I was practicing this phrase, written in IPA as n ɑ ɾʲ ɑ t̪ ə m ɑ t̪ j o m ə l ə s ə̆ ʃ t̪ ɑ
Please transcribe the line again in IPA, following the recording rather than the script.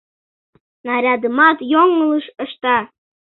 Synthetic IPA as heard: n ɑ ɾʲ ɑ d̪ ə m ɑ t̪ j o ŋ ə l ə ʃ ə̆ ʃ t̪ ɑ